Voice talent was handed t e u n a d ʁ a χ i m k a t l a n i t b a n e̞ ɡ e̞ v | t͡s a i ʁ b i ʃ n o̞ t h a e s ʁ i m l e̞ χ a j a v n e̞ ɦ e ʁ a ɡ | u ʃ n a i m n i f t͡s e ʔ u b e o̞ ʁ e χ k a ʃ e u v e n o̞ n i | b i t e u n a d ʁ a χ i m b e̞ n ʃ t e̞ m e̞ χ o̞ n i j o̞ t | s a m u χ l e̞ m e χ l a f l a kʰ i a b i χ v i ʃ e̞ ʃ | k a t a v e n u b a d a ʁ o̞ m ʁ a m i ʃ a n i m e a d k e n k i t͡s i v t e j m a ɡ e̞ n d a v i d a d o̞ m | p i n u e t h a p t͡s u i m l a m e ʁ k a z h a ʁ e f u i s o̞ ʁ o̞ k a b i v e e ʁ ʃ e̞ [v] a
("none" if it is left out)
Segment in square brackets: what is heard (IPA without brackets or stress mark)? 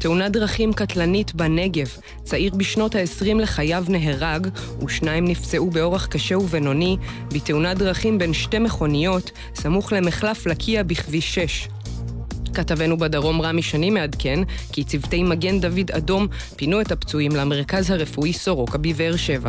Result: v